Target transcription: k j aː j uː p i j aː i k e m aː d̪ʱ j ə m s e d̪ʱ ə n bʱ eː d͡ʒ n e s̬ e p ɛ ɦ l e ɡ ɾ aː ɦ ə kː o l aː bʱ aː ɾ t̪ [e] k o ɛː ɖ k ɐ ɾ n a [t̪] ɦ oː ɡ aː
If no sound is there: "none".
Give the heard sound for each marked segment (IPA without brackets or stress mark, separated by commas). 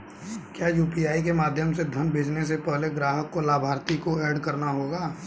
i, none